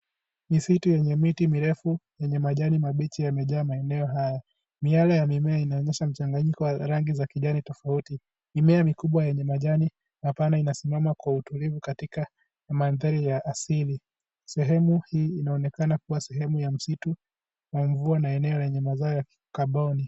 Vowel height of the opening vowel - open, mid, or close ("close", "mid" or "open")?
close